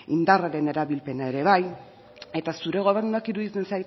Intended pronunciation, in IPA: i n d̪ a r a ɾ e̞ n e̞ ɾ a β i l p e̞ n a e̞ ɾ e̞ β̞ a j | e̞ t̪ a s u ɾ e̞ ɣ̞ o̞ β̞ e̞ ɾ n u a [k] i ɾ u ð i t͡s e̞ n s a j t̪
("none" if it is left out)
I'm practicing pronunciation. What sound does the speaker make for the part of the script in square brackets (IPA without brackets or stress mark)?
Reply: k